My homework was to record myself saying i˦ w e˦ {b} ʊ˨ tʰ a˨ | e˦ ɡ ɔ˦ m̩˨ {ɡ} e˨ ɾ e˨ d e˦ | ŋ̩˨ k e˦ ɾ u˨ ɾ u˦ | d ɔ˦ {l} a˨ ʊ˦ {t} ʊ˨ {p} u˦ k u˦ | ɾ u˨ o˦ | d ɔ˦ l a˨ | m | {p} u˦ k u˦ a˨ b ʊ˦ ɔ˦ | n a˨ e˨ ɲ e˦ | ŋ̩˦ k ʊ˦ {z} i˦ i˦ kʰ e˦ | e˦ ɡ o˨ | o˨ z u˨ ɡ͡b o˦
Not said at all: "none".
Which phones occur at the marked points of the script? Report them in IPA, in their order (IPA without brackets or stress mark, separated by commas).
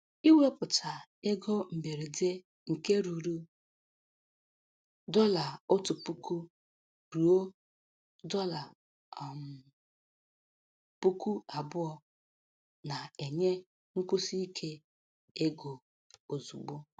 p, b, l, t, p, p, s